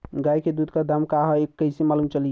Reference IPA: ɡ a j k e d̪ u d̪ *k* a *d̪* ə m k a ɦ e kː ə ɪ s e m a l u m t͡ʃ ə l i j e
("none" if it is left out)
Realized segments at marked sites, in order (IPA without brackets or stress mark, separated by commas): k, d̪